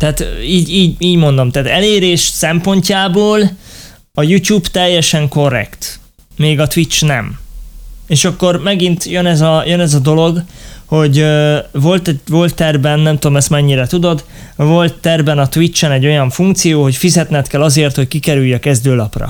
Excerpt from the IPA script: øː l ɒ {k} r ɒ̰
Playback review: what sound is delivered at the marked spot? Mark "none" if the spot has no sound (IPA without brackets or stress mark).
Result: p